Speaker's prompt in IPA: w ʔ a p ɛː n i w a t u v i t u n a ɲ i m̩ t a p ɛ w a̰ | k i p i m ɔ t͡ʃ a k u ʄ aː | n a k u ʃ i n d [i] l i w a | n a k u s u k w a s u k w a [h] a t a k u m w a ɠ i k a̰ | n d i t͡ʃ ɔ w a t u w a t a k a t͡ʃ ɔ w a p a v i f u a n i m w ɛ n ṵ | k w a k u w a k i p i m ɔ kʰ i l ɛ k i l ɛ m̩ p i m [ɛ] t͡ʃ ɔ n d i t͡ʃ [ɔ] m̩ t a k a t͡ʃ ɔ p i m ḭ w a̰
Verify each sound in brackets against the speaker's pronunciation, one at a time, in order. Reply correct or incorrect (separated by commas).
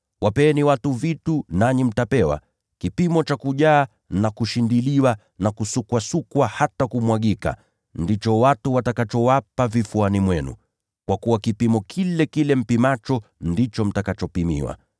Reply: correct, correct, incorrect, correct